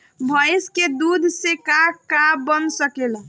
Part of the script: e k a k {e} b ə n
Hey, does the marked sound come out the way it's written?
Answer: no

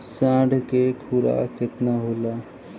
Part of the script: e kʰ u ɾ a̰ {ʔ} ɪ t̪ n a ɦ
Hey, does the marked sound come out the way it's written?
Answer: no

